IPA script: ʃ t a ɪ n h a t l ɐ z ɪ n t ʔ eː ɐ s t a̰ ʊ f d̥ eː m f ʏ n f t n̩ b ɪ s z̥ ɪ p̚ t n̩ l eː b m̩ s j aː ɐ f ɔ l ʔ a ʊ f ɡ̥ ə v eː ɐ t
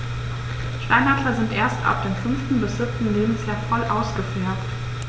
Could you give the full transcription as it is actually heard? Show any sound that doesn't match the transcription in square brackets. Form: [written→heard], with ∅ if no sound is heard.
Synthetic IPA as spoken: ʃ t a ɪ n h a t l ɐ z ɪ n t ʔ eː ɐ s t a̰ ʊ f d̥ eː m f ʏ n f t n̩ b ɪ s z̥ ɪ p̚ t n̩ l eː b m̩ s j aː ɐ f ɔ l ʔ a ʊ [f→s] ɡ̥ ə [v→f] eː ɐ t